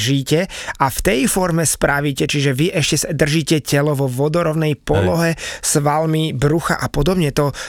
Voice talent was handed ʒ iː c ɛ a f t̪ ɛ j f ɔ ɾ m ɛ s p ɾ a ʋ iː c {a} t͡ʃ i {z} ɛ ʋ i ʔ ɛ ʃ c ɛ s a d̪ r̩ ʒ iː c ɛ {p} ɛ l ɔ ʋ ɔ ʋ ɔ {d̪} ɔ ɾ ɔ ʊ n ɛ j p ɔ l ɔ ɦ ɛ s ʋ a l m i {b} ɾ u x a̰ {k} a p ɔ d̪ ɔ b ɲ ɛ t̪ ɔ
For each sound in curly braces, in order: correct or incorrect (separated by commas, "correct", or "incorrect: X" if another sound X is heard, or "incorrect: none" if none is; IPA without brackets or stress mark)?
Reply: incorrect: ɛ, incorrect: ʒ, incorrect: c, correct, correct, incorrect: ʔ